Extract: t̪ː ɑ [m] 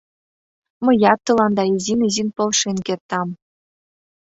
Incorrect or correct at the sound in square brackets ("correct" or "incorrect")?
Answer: correct